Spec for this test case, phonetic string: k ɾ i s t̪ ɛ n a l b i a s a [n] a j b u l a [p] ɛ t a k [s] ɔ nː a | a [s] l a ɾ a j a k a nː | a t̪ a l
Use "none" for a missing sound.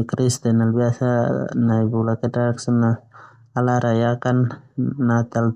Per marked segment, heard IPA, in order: n, k, s, none

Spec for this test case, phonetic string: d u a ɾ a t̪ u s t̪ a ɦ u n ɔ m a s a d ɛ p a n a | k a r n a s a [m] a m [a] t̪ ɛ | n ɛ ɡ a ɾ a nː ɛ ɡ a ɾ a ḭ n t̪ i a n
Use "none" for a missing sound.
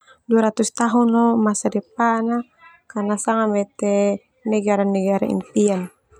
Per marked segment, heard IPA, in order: ŋ, ɛ

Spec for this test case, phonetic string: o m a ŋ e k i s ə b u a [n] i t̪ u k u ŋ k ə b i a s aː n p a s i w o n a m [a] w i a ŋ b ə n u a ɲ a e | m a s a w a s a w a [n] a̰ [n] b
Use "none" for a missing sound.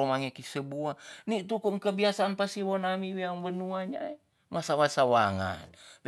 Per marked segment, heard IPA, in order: n, i, ŋ, n

